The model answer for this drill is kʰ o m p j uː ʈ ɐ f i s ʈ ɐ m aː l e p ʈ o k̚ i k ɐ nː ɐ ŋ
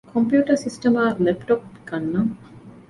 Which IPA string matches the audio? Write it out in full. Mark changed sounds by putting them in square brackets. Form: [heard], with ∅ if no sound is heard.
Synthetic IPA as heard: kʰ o m p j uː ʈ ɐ [s] i s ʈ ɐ m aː l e p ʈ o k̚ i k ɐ nː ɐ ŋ